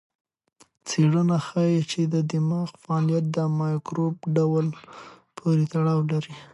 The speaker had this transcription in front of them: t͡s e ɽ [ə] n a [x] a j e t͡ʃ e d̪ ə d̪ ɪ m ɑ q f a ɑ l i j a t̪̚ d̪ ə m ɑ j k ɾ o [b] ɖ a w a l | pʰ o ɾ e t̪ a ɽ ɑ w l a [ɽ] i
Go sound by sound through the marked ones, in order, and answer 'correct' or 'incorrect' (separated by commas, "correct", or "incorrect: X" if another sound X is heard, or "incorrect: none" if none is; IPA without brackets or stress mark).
correct, correct, correct, incorrect: ɾ